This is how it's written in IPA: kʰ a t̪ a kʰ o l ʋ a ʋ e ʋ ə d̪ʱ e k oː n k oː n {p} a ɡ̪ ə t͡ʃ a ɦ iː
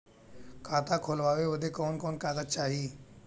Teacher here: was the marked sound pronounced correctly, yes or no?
no